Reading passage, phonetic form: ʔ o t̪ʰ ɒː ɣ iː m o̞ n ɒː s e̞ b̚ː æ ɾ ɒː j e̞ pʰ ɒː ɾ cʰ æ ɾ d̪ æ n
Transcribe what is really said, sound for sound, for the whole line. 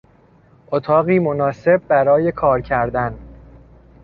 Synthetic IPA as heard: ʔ o t̪ʰ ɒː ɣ iː m o̞ n ɒː s e̞ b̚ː æ ɾ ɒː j e̞ kʰ ɒː ɾ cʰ æ ɾ d̪ æ n